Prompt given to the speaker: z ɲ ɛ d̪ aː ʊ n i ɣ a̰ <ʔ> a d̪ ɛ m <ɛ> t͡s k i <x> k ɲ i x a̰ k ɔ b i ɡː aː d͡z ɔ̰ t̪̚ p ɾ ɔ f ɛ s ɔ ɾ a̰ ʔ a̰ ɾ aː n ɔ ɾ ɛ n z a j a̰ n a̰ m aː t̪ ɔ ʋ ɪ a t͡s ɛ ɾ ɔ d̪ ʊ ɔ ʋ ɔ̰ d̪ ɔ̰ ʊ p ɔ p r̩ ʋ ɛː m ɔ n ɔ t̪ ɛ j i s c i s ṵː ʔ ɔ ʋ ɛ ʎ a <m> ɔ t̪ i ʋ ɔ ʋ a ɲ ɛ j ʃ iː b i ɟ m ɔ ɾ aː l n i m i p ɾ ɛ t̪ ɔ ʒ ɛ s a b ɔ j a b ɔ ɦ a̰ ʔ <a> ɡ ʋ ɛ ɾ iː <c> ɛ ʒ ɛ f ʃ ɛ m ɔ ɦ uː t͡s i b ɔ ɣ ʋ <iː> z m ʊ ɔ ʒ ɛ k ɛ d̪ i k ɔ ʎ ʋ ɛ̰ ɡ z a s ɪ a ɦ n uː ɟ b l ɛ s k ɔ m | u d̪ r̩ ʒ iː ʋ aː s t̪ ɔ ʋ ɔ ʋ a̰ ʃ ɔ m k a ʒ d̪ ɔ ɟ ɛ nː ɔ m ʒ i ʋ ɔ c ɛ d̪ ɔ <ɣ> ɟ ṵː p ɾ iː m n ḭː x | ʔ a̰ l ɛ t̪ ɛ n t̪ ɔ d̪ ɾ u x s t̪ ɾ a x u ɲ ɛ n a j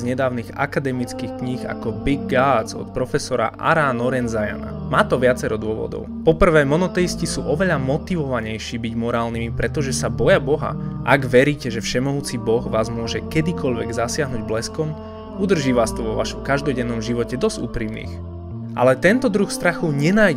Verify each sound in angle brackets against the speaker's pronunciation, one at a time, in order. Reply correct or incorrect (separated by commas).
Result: incorrect, incorrect, correct, correct, correct, correct, incorrect, incorrect